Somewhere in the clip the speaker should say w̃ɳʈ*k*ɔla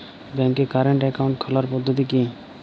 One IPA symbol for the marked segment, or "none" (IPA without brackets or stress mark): kʰ